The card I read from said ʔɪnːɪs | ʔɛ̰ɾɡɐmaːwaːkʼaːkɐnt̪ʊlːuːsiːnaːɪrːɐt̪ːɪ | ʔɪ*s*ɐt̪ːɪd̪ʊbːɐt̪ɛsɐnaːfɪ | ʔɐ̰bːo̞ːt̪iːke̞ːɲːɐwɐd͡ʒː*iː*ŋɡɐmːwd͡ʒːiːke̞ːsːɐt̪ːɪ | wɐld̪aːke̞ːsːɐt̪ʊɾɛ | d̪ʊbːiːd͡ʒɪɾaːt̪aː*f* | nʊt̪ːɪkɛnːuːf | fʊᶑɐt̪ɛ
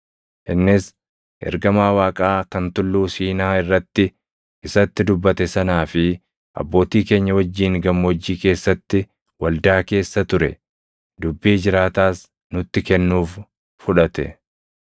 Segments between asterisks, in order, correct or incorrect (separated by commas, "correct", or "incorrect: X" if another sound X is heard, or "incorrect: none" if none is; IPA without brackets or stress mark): correct, correct, incorrect: s